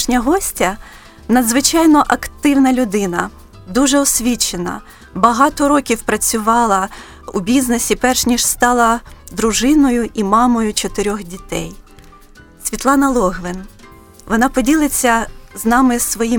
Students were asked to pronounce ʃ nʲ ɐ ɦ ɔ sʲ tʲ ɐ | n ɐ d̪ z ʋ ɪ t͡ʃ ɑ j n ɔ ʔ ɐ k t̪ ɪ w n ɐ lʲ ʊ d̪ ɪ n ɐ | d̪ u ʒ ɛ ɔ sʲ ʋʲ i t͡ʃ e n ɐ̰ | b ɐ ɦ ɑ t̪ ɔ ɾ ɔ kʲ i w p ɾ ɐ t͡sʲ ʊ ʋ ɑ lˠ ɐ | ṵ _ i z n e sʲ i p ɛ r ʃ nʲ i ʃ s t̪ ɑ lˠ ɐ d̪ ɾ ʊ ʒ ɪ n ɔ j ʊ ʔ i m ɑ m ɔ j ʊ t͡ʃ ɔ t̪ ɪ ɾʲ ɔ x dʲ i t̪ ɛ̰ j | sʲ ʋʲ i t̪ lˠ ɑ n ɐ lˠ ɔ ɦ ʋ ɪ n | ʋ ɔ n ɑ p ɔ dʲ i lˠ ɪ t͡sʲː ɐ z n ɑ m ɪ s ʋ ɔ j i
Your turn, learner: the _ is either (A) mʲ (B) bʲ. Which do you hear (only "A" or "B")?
B